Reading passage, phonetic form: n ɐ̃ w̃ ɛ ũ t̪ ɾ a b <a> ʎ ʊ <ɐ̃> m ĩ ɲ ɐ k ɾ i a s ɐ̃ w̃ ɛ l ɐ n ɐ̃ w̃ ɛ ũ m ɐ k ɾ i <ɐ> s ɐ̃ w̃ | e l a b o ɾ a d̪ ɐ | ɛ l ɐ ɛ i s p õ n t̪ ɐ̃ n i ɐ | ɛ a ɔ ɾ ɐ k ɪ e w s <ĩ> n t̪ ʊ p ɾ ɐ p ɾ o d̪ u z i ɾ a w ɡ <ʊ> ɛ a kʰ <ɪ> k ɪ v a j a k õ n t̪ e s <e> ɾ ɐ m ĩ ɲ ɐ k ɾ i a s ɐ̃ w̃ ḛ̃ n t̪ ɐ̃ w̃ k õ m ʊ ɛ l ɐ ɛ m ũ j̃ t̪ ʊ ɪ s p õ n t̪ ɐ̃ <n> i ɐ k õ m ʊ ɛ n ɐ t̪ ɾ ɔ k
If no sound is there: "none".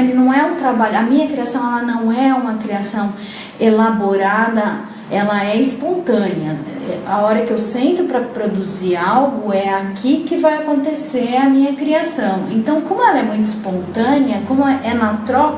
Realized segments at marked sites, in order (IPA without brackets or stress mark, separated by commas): a, ɐ, a, ẽ, ʊ, i, e, n